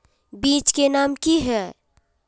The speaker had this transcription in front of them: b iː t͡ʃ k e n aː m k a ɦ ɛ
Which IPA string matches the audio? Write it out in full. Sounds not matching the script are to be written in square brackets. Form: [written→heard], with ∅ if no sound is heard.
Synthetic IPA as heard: b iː t͡ʃ k e n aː m k [a→i] ɦ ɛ